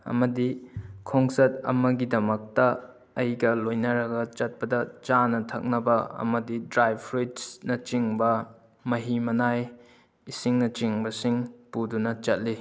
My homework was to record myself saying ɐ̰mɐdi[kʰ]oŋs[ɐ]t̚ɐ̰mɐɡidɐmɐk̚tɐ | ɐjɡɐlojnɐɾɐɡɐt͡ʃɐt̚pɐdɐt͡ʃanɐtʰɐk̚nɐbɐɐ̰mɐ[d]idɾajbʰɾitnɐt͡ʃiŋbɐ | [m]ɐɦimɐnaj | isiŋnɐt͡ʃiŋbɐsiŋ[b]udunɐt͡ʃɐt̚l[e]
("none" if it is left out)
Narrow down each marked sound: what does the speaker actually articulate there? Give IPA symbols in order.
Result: kʰ, ɐ, d, m, p, i

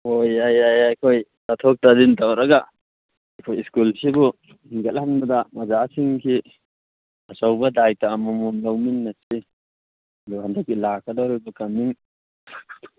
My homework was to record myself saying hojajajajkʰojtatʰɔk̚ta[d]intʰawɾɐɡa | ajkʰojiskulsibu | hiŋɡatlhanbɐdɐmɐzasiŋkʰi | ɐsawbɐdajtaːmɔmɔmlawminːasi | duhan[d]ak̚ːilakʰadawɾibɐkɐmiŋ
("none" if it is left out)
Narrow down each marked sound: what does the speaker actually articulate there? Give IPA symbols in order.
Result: d, d

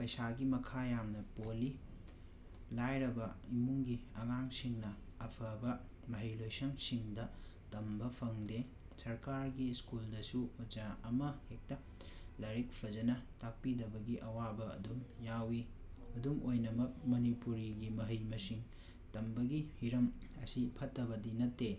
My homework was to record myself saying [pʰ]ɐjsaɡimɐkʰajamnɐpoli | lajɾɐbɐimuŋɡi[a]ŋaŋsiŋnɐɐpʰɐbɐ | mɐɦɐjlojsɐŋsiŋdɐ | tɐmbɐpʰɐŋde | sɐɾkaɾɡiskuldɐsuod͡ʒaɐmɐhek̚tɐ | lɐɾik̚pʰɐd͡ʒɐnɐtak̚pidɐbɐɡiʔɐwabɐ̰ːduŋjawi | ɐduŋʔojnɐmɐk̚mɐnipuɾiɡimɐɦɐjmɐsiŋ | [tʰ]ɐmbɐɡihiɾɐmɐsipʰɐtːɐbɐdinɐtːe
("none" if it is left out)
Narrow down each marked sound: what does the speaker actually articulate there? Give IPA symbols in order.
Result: p, ɐ, t

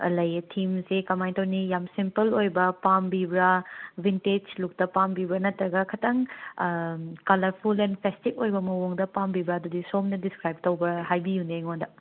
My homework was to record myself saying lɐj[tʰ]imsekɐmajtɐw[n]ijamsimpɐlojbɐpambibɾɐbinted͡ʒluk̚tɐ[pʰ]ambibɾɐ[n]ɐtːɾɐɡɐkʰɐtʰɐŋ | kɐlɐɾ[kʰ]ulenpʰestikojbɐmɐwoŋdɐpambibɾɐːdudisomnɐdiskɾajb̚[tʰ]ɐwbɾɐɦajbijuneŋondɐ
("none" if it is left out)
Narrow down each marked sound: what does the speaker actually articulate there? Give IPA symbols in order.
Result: tʰ, n, p, n, pʰ, t

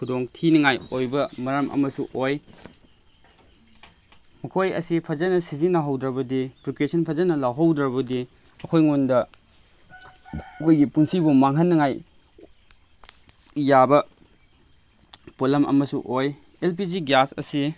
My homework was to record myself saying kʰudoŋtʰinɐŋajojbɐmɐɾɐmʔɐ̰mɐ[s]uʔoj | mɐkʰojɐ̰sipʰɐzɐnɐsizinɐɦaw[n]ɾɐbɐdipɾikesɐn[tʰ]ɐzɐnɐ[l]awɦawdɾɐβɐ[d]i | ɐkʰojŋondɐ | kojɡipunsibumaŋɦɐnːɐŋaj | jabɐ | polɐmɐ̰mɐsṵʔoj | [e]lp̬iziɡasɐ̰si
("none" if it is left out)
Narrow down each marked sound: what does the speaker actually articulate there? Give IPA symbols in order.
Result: s, d, pʰ, l, d, e

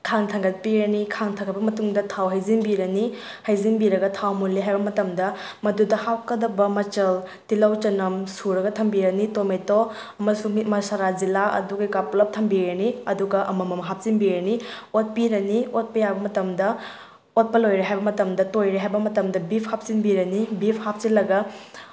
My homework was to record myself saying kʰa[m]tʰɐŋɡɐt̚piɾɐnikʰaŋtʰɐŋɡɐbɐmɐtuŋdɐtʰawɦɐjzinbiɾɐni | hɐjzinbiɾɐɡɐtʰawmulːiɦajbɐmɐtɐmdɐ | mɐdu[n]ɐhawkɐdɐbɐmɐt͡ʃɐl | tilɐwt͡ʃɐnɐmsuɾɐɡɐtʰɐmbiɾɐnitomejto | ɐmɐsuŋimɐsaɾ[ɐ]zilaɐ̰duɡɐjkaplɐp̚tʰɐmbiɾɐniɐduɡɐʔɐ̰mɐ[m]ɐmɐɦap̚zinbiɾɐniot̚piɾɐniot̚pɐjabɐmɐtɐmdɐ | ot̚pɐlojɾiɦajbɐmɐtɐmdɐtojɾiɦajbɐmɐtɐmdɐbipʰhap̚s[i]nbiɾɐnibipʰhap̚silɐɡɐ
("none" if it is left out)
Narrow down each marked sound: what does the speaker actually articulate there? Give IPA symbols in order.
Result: ŋ, d, a, m, i

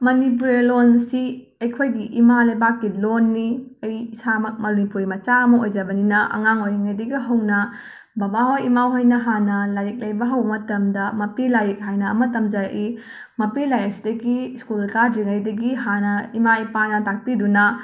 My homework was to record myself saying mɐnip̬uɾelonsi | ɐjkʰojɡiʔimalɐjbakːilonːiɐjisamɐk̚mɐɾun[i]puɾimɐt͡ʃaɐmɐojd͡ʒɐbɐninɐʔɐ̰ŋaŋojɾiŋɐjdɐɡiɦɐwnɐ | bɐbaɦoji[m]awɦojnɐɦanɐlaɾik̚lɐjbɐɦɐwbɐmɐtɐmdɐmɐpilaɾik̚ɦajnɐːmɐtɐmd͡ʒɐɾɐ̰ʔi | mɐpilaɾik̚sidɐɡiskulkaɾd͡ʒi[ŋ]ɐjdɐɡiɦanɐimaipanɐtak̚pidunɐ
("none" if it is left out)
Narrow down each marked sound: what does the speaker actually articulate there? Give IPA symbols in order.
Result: i, m, ŋ

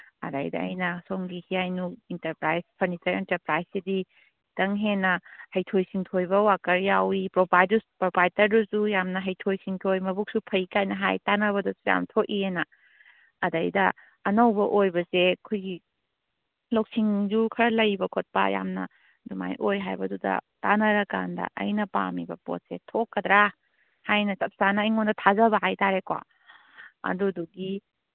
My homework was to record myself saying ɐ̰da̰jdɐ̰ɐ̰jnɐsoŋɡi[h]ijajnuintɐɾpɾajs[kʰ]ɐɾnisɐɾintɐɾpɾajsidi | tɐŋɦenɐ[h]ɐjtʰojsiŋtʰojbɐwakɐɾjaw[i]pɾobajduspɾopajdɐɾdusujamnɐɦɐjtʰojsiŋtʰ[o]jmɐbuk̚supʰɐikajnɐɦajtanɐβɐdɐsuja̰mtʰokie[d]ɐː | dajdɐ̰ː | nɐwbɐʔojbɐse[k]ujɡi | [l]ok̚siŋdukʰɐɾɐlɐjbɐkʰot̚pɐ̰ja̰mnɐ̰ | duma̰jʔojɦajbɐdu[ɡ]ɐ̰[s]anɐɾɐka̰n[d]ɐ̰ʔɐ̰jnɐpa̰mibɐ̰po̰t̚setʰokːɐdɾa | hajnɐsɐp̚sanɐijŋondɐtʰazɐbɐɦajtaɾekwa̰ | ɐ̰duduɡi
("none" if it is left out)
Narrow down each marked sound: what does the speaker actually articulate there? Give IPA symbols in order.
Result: h, pʰ, h, i, o, n, kʰ, l, d, t, d

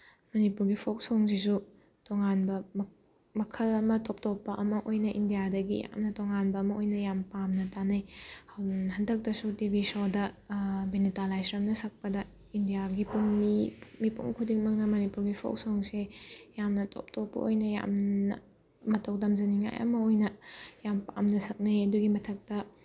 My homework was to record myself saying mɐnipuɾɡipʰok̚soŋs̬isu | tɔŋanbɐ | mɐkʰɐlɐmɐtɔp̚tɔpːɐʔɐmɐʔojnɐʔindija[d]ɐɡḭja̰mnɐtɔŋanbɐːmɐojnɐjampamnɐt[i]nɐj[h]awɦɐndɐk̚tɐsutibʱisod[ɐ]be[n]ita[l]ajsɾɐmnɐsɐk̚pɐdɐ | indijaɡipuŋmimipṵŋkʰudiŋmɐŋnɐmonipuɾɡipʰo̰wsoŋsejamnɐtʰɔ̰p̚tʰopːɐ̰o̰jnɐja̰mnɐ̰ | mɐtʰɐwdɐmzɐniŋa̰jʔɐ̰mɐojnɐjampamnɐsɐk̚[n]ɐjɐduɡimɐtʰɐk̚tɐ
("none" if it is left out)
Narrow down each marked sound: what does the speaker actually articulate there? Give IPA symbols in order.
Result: d, a, h, ɐ, n, l, n

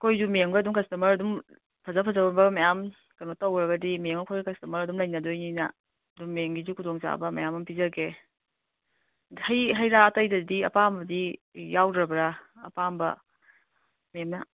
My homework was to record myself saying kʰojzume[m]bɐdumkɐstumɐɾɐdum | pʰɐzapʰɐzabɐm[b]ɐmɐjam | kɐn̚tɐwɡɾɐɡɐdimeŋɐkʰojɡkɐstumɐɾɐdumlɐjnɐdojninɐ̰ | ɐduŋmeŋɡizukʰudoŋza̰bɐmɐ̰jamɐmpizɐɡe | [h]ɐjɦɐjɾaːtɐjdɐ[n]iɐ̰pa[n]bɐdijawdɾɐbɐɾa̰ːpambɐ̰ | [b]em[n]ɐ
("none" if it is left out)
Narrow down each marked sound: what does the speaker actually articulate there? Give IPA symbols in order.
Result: ŋ, b, h, d, m, m, n

